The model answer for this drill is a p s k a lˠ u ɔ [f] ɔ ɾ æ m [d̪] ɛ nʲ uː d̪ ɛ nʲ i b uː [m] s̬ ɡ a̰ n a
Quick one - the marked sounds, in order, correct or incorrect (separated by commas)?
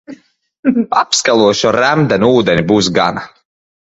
incorrect, correct, incorrect